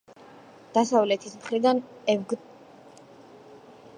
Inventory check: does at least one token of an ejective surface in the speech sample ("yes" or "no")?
no